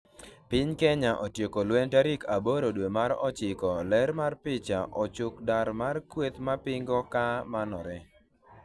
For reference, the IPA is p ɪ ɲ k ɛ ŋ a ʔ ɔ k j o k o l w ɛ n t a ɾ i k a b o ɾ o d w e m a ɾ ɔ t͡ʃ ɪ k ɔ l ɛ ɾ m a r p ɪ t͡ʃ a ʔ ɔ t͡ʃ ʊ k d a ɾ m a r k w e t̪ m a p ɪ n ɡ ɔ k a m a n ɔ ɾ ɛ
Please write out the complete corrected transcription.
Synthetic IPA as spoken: p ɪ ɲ k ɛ ɲ a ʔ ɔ t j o k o l w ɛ n t a ɾ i k a b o ɾ o d w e m a ɾ ɔ t͡ʃ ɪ k ɔ l ɛ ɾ m a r p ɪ t͡ʃ a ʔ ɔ t͡ʃ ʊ k d a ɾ m a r k w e t̪ m a p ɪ ŋ ɡ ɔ k a m a n ɔ ɾ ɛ